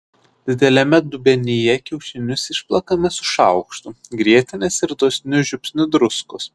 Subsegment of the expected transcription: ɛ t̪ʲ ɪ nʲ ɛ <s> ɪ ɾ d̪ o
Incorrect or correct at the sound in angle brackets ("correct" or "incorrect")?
correct